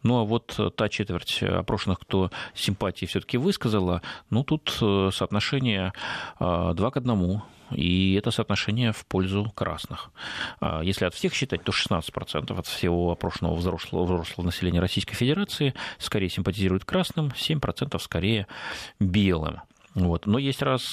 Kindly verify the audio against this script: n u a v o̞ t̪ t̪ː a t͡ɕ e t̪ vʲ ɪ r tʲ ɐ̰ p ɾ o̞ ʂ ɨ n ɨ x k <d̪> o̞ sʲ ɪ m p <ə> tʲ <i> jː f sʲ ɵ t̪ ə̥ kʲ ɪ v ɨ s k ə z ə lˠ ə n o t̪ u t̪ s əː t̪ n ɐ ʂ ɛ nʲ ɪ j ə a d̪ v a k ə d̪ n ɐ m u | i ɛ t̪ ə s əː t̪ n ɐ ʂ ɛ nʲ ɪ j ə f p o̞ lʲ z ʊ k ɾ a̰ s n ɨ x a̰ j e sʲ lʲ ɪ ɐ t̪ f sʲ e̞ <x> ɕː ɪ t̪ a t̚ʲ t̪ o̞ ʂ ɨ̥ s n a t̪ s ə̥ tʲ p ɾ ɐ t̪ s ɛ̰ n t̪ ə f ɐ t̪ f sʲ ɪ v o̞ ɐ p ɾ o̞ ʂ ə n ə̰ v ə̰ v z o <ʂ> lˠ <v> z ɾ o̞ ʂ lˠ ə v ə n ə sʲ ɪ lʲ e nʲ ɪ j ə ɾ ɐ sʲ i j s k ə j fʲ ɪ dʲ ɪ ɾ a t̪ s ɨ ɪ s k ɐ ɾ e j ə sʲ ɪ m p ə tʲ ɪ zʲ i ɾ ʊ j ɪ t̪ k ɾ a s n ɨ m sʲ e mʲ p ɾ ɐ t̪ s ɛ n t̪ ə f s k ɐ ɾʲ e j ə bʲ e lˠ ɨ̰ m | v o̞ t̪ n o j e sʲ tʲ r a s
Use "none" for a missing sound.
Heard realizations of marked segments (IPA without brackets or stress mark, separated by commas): t̪, a, ɪ, x, ʂ, v